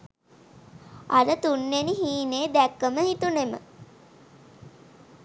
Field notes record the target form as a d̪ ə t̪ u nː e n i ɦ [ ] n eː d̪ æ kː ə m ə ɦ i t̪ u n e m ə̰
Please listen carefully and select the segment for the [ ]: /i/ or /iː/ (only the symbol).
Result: iː